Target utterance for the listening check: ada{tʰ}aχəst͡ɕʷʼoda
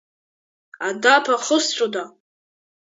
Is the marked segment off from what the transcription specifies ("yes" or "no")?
yes